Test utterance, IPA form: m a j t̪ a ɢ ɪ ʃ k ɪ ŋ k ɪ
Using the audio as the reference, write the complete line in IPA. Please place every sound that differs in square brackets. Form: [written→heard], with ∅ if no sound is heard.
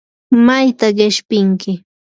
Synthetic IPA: m a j t̪ a ɢ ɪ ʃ [k→p] ɪ ŋ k ɪ